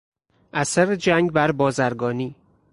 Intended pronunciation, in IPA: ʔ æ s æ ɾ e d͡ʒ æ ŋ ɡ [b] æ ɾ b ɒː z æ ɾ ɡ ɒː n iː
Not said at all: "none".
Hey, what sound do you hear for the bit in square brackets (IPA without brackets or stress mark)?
b